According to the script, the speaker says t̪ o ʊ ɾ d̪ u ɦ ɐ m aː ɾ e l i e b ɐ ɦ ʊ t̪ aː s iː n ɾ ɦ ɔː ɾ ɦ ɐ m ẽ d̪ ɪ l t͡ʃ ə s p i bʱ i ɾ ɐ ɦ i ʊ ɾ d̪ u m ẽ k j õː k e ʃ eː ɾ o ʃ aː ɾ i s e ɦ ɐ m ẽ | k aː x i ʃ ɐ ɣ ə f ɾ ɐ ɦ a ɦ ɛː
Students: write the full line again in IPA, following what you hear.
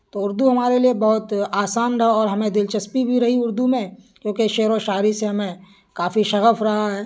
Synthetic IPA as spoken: t̪ o ʊ ɾ d̪ u ɦ ɐ m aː ɾ e l i e b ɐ ɦ ʊ t̪ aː s aː n ɾ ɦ ɔː ɾ ɦ ɐ m ẽ d̪ ɪ l t͡ʃ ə s p i bʱ i ɾ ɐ ɦ i ʊ ɾ d̪ u m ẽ k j õː k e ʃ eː ɾ o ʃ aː ɾ i s e ɦ ɐ m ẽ | k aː f i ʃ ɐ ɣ ə f ɾ ɐ ɦ a ɦ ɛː